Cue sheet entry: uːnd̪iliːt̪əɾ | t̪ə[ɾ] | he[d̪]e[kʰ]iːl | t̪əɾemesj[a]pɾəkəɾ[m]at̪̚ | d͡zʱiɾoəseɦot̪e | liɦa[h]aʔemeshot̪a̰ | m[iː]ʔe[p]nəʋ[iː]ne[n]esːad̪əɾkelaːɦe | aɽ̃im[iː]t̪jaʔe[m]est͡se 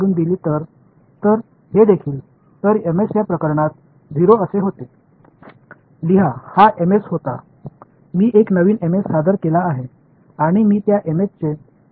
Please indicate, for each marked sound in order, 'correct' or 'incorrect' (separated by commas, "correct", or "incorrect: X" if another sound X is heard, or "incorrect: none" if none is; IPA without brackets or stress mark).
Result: correct, correct, correct, correct, incorrect: ɳ, correct, correct, incorrect: k, correct, incorrect: m, correct, correct